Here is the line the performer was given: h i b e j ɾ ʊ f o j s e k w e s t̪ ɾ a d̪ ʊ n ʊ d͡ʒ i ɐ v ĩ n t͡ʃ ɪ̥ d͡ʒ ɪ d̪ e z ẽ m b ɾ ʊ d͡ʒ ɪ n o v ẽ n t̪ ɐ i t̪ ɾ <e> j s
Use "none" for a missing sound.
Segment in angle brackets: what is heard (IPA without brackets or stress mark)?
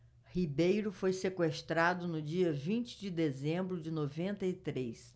e